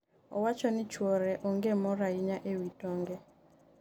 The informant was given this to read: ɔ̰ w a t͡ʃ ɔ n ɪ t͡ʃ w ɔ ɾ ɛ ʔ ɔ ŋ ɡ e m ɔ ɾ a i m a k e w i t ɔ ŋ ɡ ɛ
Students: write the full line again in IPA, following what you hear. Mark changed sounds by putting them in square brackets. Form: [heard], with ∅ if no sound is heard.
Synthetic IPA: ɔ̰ w a t͡ʃ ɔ n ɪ t͡ʃ w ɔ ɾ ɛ ʔ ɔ ŋ ɡ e m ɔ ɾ a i [ɲ] a [ʔ] e w i t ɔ ŋ ɡ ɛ